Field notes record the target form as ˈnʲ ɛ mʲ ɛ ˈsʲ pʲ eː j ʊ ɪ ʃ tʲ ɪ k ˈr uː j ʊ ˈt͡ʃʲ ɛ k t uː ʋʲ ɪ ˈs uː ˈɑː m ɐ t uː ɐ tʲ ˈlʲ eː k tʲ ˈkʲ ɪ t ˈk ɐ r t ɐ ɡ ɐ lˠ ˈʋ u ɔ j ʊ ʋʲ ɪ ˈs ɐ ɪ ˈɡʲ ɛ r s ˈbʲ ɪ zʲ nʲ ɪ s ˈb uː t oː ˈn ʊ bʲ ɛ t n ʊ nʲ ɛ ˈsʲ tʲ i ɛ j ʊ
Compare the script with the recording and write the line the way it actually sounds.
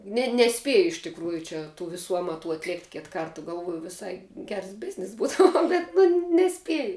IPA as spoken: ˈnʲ ɛ nʲ ɛ ˈsʲ pʲ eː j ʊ ɪ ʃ tʲ ɪ k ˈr uː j ʊ ˈt͡ʃʲ ɛ t uː ʋʲ ɪ ˈs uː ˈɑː m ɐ t uː ɐ tʲ ˈlʲ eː k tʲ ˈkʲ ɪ t ˈk ɐ r t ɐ ɡ ɐ lˠ ˈʋ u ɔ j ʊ ʋʲ ɪ ˈs ɐ ɪ ˈɡʲ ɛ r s ˈbʲ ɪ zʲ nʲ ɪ s ˈb uː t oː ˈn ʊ bʲ ɛ t n ʊ nʲ ɛ ˈsʲ pʲ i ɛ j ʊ

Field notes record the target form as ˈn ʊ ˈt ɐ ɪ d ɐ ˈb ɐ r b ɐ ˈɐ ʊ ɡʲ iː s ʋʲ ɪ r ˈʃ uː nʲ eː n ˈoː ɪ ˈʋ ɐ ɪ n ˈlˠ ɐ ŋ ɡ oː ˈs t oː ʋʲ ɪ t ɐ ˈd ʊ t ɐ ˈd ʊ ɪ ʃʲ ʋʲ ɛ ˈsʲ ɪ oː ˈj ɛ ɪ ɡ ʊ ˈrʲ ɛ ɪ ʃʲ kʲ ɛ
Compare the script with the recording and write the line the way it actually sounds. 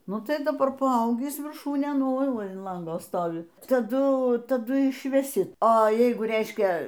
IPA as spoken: ˈn ʊ ˈt ɐ ɪ d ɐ ˈb ɐ r p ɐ ˈɐ ʊ ɡʲ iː s ʋʲ ɪ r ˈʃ uː nʲ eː n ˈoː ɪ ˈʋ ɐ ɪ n ˈlˠ ɐ ŋ ɡ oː ˈs t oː ʋʲ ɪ t ɐ ˈd ʊ t ɐ ˈd ʊ ɪ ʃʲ ʋʲ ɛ ˈsʲ ɪ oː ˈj ɛ ɪ ɡ ʊ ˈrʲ ɛ ɪ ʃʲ kʲ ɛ

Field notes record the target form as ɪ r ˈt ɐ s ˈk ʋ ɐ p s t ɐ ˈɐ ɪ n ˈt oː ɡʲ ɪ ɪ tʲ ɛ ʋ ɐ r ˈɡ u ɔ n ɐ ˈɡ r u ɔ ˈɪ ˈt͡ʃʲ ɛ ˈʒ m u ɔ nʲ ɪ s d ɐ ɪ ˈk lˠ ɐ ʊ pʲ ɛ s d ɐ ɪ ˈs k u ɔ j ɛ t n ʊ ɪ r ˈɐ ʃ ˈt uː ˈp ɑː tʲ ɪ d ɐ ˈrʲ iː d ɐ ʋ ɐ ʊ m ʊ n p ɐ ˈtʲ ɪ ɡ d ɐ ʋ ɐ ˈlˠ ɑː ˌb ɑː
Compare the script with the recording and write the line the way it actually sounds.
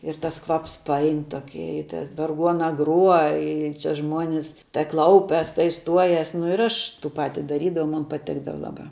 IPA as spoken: ɪ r ˈt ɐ s ˈk ʋ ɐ p s p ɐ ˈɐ ɪ n ˈt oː kʲ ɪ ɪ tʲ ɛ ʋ ɐ r ˈɡ u ɔ n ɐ ˈɡ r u ɔ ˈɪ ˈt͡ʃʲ ɛ ˈʒ m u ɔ nʲ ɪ s t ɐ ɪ ˈk lˠ ɐ ʊ pʲ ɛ s t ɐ ɪ ˈs t u ɔ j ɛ s n ʊ ɪ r ˈɐ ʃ ˈt uː ˈp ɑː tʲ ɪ d ɐ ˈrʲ iː d ɐ ʋ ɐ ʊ m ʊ n p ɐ ˈtʲ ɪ ɡ d ɐ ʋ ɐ ˈlˠ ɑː ˌb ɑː

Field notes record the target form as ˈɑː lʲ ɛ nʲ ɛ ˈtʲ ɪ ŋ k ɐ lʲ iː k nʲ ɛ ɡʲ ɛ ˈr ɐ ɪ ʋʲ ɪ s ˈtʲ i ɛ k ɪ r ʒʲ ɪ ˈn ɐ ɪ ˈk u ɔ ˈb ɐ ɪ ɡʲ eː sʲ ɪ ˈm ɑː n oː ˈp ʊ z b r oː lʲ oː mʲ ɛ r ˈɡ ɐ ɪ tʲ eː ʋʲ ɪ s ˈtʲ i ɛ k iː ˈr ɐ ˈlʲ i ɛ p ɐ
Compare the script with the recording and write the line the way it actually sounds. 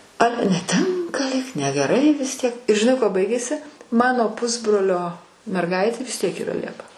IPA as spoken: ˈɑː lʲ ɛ nʲ ɛ ˈtʲ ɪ ŋ k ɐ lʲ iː k nʲ ɛ ɡʲ ɛ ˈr ɐ ɪ ʋʲ ɪ s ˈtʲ i ɛ k ɪ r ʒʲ ɪ ˈn ɐ ɪ ˈk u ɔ ˈb ɐ ɪ ɡʲ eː sʲ ɪ ˈm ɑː n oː ˈp ʊ z b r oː lʲ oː mʲ ɛ r ˈɡ ɐ ɪ tʲ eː ʋʲ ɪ s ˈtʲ i ɛ k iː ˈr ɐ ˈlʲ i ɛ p ɐ

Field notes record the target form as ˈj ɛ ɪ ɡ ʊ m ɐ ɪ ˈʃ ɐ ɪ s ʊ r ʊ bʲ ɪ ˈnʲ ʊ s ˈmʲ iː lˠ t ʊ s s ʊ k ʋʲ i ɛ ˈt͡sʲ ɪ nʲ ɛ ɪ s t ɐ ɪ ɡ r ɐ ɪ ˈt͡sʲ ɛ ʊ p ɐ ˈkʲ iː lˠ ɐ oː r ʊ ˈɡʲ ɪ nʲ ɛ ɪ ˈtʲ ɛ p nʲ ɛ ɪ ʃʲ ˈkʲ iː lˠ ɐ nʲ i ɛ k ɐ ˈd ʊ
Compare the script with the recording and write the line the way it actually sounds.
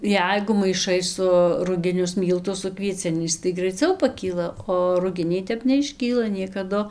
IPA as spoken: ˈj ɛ ɪ ɡ ʊ m ɐ ɪ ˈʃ ɐ ɪ s ʊ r ʊ ɡʲ ɪ ˈnʲ ʊ s ˈmʲ iː lˠ t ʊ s s ʊ k ʋʲ i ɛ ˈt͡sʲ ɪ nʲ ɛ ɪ s t ɐ ɪ ɡ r ɐ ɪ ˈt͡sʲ ɛ ʊ p ɐ ˈkʲ iː lˠ ɐ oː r ʊ ˈɡʲ ɪ nʲ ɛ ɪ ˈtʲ ɛ p nʲ ɛ ɪ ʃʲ ˈkʲ iː lˠ ɐ nʲ i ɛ k ɐ ˈd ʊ

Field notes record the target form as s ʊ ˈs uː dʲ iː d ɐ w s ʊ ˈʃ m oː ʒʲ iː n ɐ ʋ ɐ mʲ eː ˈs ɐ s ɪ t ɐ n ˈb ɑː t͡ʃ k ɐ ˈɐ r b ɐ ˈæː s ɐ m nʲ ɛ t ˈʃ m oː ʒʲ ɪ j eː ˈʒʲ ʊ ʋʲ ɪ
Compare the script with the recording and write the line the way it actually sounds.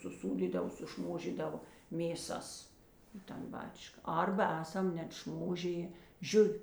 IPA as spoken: s ʊ ˈs uː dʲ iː d ɐ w s ʊ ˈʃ m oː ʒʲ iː d ɐ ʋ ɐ mʲ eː ˈs ɐ s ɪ t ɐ n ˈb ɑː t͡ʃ k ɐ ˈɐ r b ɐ ˈæː s ɐ m nʲ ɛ t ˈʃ m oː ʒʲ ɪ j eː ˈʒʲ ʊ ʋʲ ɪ

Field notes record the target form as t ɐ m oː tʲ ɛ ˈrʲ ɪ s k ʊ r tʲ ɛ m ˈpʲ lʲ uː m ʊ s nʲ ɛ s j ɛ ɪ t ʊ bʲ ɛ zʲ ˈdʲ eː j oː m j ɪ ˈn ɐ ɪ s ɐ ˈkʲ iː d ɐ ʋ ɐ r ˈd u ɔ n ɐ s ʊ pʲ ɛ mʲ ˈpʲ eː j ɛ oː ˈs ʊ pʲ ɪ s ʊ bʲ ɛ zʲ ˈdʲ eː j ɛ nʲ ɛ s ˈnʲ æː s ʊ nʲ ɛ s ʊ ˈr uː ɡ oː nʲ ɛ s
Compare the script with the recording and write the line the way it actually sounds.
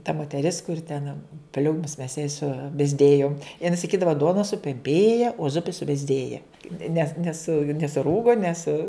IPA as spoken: t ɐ m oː tʲ ɛ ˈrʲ ɪ s k ʊ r tʲ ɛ n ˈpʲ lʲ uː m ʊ s mʲ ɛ s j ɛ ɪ s ʊ bʲ ɛ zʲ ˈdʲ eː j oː m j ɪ ˈn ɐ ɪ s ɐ ˈkʲ iː d ɐ ʋ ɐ ˈd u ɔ n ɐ s ʊ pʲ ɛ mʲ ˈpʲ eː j ɛ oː ˈz ʊ pʲ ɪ s ʊ bʲ ɛ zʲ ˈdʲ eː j ɛ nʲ ɛ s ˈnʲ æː s ʊ nʲ ɛ s ʊ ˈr uː ɡ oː nʲ ɛ s

